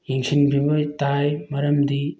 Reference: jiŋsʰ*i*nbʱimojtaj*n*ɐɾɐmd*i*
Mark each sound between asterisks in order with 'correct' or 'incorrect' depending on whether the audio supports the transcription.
correct, incorrect: m, correct

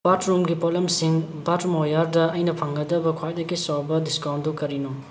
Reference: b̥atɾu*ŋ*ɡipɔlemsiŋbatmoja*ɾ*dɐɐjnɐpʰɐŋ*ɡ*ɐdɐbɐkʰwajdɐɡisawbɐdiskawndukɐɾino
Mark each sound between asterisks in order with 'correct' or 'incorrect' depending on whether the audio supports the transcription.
incorrect: m, correct, correct

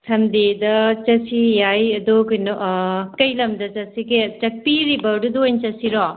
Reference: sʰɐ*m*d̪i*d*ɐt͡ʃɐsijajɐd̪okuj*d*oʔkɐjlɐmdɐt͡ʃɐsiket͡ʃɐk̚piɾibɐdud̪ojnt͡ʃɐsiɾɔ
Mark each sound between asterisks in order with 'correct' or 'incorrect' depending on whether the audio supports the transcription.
correct, correct, incorrect: n

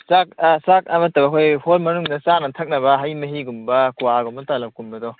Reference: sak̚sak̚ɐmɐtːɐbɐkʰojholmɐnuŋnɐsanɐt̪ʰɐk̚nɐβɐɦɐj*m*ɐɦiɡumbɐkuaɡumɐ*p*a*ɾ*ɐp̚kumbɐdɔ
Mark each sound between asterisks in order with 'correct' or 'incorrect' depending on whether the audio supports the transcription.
correct, incorrect: t, incorrect: l

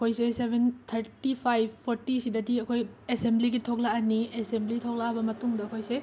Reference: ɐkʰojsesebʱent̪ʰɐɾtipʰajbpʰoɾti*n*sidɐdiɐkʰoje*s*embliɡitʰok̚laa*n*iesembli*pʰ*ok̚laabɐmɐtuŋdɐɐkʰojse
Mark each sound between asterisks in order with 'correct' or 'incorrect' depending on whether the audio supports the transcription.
incorrect: none, correct, correct, incorrect: tʰ

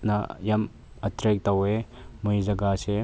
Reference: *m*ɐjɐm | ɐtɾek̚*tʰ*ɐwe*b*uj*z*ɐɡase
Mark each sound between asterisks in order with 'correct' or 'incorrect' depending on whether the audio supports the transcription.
incorrect: n, incorrect: t, incorrect: m, correct

